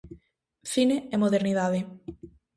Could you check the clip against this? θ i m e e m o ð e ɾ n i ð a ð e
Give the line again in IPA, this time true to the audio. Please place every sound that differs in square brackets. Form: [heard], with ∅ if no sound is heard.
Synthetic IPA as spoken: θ i [n] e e m o ð e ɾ n i ð a ð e